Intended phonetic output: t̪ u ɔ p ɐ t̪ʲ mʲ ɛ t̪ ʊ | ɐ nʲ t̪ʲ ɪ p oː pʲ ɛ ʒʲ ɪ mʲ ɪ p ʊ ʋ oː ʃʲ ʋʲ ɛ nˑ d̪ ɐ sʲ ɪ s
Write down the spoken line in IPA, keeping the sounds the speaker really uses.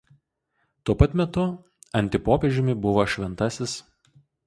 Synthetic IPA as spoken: t̪ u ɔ p ɐ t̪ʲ mʲ ɛ t̪ ʊ | ɐ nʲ t̪ʲ ɪ p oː pʲ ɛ ʒʲ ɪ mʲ ɪ b ʊ ʋ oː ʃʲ ʋʲ ɛ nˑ t̪ ɐ sʲ ɪ s